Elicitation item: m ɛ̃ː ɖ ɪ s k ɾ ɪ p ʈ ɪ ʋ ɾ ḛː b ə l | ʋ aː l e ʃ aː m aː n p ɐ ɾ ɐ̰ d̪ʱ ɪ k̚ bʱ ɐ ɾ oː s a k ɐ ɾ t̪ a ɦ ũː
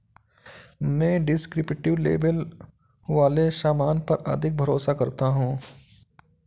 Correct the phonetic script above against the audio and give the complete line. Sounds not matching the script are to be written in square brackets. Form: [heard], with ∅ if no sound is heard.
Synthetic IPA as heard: m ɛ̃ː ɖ ɪ s k ɾ ɪ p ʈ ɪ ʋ [l] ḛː b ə l | ʋ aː l e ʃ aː m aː n p ɐ ɾ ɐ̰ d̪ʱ ɪ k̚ bʱ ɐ ɾ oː s a k ɐ ɾ t̪ a ɦ ũː